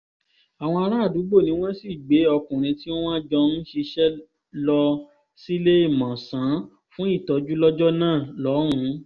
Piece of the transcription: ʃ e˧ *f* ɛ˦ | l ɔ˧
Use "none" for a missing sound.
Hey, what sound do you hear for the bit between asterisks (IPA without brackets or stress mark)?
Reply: ʃ